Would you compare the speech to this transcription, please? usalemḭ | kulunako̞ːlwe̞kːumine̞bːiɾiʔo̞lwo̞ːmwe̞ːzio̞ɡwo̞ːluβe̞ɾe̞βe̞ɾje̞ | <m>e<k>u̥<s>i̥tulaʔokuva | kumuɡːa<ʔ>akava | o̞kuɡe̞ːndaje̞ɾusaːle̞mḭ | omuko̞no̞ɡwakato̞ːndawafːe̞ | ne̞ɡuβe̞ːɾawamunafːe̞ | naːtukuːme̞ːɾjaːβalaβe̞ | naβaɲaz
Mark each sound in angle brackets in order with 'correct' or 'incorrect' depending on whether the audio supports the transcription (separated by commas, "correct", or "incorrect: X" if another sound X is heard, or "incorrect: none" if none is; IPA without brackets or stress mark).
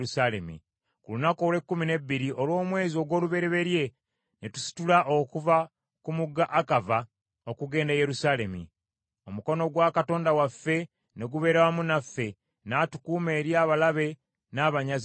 incorrect: n, incorrect: t, correct, correct